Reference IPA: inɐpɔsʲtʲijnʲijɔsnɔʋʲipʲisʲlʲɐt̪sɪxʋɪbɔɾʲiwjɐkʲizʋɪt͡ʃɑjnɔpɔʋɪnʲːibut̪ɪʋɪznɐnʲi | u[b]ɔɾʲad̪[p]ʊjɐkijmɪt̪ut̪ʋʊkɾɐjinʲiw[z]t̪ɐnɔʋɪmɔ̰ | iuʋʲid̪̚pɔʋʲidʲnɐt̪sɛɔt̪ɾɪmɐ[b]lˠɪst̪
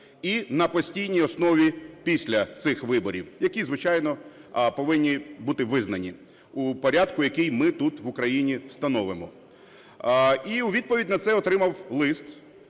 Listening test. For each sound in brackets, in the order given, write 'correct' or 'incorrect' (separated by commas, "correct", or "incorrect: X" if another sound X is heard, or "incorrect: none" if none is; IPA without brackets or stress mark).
incorrect: p, incorrect: k, incorrect: s, incorrect: w